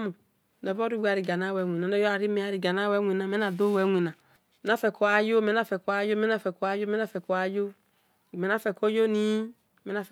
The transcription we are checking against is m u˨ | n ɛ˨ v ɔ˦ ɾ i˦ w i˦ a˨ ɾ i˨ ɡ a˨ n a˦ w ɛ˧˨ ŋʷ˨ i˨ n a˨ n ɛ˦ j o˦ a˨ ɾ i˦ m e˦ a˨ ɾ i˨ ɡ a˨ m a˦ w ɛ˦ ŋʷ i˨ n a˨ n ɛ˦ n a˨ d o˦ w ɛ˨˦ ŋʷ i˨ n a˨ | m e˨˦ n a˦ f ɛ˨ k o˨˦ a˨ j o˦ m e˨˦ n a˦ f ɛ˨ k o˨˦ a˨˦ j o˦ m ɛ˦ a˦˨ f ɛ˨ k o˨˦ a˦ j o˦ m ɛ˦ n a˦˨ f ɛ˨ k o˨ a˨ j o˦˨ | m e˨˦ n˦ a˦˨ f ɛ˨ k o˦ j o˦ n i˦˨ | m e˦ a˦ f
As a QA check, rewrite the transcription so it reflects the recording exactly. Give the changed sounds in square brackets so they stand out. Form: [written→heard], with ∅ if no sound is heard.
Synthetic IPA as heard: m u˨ | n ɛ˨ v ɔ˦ ɾ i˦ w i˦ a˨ ɾ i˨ ɡ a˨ n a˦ w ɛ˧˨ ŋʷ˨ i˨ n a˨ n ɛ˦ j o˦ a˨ ɾ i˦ m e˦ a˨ ɾ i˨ ɡ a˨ [m→n] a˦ w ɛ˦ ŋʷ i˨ n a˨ [n→m] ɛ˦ n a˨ d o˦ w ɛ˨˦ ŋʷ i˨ n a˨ | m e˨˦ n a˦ f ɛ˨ k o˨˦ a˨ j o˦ m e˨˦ n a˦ f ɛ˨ k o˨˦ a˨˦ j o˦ m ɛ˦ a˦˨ f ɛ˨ k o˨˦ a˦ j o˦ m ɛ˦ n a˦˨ f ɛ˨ k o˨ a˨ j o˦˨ | m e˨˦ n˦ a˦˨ f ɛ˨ k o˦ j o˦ n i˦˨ | m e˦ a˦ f